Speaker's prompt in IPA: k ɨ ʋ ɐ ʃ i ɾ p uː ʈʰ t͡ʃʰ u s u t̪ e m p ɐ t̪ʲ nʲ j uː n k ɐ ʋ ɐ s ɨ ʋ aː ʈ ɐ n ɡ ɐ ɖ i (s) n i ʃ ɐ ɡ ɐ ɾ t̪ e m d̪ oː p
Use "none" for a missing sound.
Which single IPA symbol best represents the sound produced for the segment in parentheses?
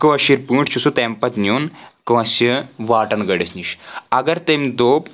s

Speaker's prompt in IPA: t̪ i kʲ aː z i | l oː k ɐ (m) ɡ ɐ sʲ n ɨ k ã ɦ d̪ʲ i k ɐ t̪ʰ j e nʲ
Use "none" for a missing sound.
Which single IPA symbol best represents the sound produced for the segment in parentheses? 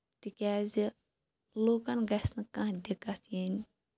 n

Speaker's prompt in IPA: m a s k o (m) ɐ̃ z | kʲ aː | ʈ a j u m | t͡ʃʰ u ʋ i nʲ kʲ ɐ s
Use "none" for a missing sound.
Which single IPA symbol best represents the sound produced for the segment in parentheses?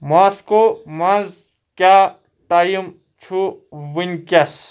m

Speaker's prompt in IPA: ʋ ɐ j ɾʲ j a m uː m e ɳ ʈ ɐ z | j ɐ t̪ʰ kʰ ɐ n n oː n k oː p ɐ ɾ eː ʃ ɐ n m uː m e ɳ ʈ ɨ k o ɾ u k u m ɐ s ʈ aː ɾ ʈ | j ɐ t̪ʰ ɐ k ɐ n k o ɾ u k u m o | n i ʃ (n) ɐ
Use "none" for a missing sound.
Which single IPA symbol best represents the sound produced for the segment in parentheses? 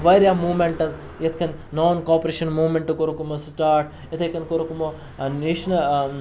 n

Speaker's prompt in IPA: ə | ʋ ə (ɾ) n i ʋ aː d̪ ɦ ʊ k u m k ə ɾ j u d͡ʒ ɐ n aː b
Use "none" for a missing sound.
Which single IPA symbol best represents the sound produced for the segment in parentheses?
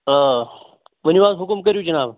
none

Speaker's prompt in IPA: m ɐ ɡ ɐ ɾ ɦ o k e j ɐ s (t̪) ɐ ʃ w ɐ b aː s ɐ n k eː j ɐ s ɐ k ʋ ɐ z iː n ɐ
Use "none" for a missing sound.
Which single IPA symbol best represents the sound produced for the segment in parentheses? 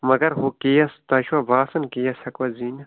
t̪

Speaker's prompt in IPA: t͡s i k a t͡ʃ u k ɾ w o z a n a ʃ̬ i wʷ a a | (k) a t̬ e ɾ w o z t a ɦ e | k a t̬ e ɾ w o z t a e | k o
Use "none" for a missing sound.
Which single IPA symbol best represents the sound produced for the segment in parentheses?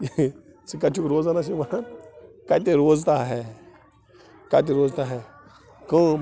k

